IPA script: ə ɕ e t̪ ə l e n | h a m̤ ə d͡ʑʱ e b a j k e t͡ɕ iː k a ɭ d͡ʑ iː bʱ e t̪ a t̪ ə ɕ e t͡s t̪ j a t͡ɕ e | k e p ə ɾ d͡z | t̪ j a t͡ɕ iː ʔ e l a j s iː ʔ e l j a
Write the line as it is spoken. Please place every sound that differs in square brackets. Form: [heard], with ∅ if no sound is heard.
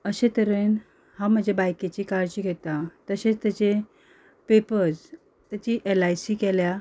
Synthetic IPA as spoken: ə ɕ e t̪ ə [ɾ] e n | h a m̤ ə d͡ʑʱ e b a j k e t͡ɕ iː k a [ɾ] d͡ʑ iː [ɡʱ] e t̪ a t̪ ə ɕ e t͡s t̪ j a t͡ɕ e | [p] e p ə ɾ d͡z | t̪ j a t͡ɕ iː ʔ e l a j s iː [k] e l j a